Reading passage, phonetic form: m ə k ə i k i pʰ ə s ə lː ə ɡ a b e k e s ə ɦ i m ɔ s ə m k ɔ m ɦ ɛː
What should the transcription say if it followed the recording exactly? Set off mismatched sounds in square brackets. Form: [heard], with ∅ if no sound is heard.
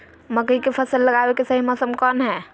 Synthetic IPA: m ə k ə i k [e] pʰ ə s ə lː ə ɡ a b e k e s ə ɦ i m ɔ s ə m k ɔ [n] ɦ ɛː